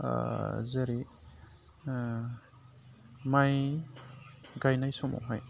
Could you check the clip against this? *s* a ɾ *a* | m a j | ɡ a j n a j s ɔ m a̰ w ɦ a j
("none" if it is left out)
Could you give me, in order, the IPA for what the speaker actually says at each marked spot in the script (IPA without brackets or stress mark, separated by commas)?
z, i